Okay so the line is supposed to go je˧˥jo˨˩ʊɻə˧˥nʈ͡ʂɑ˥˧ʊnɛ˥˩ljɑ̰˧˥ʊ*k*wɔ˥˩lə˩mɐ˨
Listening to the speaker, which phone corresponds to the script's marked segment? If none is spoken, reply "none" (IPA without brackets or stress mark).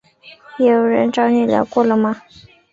k